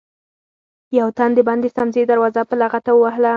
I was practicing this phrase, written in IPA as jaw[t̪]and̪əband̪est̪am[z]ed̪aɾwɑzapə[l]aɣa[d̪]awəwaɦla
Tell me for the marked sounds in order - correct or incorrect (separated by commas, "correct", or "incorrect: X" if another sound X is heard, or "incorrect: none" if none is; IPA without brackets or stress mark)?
correct, correct, correct, incorrect: t̪